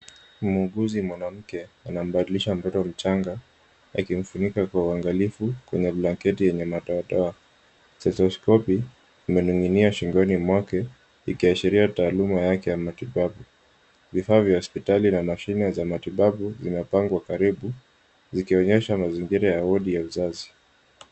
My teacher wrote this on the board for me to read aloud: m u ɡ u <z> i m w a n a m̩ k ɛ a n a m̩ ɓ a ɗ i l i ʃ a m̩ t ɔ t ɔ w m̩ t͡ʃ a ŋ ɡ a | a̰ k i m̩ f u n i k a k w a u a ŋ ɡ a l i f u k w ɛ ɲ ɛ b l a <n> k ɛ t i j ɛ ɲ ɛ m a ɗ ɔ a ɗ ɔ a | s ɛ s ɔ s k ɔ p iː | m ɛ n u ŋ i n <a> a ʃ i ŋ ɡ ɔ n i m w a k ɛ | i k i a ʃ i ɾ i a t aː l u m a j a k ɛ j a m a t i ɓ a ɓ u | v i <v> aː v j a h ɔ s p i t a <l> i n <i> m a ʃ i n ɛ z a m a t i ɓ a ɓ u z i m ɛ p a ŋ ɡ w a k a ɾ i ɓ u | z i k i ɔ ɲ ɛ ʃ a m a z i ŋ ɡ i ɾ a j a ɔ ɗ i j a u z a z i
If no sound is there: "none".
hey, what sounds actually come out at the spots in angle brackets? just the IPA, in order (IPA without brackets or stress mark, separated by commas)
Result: z, ŋ, i, f, l, a